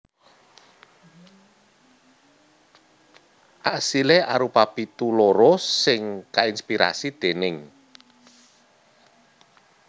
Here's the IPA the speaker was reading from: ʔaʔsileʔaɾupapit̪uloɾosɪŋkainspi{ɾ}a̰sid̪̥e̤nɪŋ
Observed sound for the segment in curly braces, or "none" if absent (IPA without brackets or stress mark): ɾ